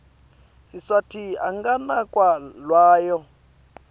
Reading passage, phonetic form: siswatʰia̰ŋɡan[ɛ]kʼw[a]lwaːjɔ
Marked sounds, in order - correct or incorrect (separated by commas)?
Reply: incorrect, correct